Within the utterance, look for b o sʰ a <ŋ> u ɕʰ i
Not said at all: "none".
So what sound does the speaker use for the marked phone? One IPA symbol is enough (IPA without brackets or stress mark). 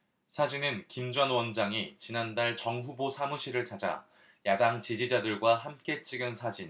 m